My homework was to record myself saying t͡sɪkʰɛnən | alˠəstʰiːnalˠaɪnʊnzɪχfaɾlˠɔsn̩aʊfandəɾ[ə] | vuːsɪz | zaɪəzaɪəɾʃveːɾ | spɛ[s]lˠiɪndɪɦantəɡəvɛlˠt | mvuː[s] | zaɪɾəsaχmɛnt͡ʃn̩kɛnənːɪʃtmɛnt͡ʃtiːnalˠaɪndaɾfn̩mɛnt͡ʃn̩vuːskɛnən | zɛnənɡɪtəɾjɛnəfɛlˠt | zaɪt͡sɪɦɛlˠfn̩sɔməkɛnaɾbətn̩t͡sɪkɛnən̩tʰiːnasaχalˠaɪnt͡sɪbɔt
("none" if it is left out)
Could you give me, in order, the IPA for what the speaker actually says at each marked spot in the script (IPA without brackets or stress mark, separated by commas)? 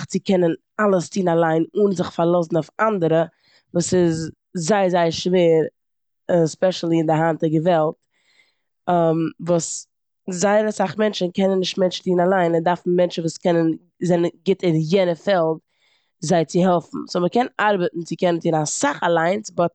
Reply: ə, ʃ, s